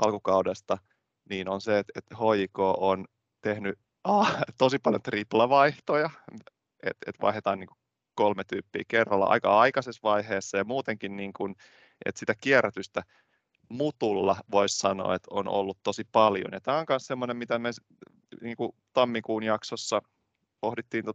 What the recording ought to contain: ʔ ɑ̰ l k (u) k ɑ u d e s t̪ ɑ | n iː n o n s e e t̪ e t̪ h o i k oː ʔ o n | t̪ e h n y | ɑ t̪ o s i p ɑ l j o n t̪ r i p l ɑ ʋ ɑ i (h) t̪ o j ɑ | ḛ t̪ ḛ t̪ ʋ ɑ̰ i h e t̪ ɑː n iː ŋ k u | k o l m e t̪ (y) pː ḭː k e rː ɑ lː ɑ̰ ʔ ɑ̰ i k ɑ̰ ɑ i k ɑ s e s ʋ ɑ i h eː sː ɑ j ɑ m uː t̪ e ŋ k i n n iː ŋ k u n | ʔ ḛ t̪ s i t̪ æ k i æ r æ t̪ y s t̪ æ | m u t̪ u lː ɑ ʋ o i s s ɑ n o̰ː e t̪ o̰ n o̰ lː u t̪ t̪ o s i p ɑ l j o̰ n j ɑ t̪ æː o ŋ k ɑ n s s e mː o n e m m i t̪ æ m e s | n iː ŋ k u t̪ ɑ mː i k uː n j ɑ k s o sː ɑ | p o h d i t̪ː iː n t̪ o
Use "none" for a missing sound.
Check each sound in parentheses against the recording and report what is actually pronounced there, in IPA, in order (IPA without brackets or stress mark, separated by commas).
u, h, yː